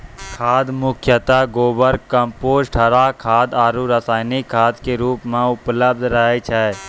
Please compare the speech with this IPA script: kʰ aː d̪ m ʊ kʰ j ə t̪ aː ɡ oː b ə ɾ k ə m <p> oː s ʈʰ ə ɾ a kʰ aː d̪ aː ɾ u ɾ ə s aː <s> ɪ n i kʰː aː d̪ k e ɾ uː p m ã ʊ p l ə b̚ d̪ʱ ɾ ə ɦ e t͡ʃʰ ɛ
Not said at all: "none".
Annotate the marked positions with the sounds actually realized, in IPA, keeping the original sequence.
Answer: p, none

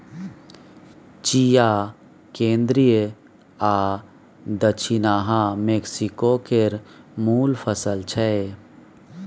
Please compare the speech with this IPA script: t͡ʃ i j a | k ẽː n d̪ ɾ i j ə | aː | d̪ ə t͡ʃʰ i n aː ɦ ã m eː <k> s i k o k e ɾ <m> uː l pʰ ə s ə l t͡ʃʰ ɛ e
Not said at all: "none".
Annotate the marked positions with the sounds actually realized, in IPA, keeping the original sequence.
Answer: k, m

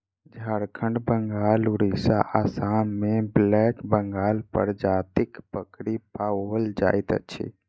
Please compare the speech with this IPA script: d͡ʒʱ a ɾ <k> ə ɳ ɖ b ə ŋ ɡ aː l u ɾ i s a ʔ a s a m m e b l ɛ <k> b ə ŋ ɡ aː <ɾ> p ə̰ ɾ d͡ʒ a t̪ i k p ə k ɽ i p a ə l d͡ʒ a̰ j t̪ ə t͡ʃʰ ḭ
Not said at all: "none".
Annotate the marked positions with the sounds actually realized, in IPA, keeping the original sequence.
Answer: kʰ, k, l

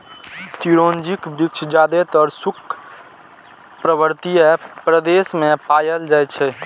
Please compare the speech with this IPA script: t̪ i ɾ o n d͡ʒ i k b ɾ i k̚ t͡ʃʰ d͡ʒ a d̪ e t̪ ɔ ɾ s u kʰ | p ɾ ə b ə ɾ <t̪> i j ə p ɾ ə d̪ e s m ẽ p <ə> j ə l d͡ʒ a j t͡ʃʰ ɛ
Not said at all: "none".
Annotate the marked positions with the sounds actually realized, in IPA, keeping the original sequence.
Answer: t̪, a

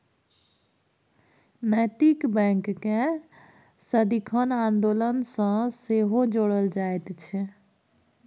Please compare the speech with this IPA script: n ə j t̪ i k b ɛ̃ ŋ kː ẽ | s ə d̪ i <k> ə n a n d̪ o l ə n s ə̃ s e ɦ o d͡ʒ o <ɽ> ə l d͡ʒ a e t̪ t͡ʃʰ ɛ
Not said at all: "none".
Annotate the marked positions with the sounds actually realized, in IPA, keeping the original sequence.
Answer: kʰ, ɽ

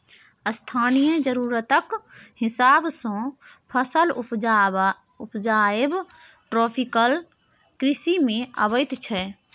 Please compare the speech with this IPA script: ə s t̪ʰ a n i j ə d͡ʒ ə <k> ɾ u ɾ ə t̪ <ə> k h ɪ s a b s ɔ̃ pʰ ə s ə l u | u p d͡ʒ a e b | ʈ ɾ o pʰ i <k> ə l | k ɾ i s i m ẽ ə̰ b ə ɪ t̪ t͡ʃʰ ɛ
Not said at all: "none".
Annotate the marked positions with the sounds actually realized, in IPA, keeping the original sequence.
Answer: none, ə, k

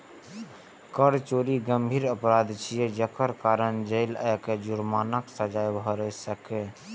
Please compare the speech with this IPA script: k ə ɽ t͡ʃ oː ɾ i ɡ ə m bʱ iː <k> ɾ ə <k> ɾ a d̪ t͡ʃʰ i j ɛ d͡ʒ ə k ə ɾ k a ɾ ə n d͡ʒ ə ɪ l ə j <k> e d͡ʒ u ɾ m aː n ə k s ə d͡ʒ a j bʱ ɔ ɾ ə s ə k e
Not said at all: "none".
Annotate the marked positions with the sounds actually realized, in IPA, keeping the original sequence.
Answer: none, p, k

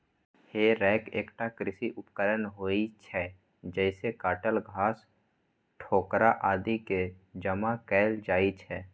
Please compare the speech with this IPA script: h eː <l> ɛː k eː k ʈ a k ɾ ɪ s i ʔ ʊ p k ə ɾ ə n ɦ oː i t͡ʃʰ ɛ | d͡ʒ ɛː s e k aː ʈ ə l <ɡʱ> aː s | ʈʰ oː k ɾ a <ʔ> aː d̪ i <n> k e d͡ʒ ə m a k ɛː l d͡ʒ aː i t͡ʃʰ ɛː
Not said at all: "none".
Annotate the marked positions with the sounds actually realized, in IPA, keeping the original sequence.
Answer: ɾ, ɡʱ, ʔ, none

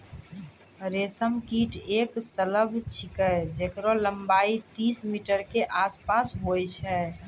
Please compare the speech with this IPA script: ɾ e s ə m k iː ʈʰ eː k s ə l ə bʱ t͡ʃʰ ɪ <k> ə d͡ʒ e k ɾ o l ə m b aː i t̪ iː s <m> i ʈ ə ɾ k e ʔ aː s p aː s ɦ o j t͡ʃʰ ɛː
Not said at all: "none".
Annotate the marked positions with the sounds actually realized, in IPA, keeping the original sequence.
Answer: k, m

